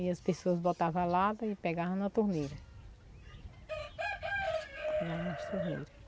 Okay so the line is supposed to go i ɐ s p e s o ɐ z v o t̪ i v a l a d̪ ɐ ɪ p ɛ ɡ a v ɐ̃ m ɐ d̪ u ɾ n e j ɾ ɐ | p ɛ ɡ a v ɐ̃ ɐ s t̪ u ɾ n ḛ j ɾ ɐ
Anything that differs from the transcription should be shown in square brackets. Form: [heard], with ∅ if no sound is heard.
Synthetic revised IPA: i ɐ s p e s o ɐ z [b] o t̪ [a] v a l a d̪ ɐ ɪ p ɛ ɡ a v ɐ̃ [n] ɐ [t̪] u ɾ n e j ɾ ɐ | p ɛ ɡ a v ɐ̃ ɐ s t̪ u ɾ n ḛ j ɾ ɐ